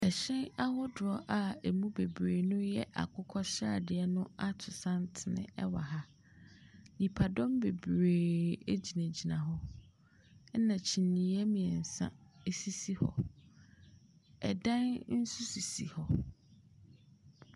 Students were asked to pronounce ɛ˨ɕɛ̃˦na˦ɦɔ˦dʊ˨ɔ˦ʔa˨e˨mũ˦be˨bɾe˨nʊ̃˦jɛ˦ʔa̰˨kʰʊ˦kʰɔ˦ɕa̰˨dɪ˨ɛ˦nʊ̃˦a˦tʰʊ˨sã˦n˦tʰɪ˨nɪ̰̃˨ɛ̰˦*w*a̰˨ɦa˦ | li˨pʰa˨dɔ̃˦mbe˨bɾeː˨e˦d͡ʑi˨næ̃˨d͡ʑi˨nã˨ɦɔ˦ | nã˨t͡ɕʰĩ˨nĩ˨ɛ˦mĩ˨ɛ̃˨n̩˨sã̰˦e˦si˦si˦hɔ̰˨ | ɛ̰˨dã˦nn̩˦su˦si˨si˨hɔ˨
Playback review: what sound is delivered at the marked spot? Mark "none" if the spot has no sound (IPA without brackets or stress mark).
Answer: w